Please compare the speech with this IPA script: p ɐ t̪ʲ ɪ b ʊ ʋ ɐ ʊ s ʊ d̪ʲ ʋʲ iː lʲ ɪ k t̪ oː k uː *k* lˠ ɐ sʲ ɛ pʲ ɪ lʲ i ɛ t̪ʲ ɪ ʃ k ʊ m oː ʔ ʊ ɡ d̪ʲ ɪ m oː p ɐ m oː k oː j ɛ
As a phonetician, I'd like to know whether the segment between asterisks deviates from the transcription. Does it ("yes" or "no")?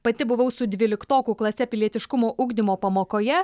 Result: no